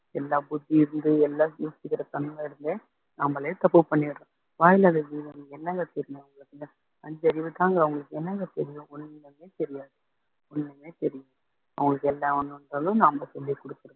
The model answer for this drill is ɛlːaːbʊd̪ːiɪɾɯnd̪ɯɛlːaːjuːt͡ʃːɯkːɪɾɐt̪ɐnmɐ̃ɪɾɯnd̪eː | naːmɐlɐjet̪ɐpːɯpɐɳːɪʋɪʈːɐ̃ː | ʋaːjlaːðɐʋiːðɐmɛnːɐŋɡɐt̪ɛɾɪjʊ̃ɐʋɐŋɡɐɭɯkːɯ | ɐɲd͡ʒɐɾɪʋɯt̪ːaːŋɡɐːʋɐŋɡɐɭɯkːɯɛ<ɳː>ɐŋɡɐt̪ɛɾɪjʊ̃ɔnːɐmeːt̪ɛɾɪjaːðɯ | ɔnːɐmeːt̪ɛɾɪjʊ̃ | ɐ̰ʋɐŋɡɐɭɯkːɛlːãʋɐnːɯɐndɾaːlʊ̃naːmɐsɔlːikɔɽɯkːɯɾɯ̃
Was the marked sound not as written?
yes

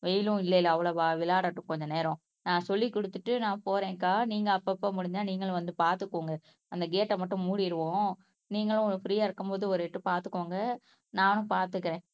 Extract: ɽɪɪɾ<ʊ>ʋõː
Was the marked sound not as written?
yes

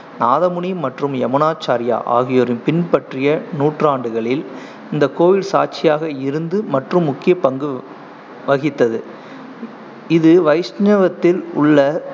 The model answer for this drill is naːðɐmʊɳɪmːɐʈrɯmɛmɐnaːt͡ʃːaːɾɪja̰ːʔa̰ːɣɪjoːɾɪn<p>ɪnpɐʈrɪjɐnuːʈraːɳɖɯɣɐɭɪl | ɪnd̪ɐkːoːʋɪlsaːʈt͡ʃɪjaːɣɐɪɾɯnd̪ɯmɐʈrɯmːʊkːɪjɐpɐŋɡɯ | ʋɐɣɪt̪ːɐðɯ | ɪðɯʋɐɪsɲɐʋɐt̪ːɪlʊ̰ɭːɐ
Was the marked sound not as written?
no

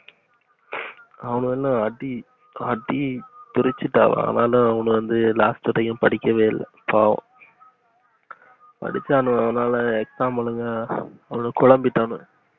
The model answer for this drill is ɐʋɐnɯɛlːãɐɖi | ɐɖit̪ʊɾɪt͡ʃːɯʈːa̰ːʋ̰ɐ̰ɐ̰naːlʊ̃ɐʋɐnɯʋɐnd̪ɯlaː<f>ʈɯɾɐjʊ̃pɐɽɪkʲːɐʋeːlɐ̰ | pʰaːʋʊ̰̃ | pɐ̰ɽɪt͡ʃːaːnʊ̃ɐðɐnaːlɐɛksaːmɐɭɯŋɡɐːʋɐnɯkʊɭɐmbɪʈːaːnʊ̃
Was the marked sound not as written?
yes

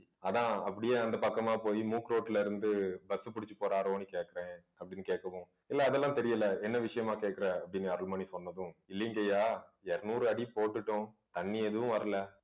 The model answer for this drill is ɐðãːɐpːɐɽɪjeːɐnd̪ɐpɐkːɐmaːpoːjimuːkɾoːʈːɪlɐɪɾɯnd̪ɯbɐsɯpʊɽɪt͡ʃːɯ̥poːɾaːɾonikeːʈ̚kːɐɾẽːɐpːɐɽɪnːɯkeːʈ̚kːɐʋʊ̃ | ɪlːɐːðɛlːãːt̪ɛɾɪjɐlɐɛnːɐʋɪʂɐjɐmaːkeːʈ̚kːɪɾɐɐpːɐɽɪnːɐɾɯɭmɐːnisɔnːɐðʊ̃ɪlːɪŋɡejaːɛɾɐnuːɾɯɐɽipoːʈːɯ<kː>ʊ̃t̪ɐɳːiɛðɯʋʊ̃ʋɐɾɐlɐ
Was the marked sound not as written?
yes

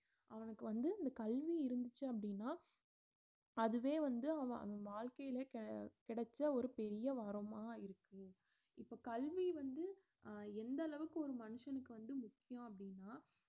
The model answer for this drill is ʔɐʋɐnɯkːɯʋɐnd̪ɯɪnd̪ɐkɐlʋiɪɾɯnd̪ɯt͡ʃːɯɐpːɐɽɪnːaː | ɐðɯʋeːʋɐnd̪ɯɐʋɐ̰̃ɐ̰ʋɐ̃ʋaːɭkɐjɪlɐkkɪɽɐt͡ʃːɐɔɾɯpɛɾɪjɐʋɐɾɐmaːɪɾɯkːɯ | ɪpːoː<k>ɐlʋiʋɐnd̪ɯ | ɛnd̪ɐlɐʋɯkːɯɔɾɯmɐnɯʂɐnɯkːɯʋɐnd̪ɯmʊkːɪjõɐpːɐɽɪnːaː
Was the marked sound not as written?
no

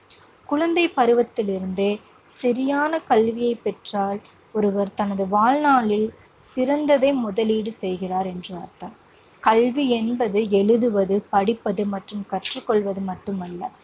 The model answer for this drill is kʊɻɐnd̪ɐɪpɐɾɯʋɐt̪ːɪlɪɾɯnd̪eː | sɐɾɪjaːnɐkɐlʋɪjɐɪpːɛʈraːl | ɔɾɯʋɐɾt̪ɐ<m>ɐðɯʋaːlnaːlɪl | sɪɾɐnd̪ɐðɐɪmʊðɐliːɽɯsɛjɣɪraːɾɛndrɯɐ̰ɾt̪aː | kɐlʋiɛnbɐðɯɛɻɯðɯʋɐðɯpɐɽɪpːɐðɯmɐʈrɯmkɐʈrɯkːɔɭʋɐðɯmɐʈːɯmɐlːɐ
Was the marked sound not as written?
yes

